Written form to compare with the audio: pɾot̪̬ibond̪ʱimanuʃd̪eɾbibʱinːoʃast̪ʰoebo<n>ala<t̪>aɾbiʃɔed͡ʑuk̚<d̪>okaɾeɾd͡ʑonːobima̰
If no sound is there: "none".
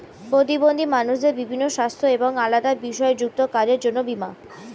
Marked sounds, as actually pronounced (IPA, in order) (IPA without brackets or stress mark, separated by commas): ŋ, d̪, t̪